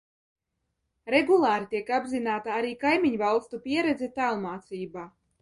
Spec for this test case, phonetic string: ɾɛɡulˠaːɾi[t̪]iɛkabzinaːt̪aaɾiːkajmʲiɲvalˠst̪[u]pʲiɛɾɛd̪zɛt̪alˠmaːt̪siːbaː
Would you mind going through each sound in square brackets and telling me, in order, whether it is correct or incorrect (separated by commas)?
correct, correct